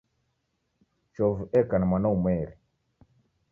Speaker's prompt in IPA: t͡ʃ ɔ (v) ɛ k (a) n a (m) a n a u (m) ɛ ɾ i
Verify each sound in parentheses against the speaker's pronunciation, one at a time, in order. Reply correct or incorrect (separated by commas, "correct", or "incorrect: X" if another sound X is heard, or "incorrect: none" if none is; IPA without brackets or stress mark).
correct, correct, correct, correct